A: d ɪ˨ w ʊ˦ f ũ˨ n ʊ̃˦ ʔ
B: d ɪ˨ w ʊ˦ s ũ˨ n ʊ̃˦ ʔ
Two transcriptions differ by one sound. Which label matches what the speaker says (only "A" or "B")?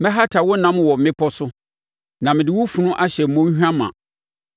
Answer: A